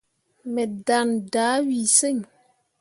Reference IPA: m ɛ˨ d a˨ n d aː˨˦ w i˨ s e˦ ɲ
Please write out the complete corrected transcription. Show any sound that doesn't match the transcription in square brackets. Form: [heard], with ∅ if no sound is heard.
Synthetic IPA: m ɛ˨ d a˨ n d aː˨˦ w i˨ s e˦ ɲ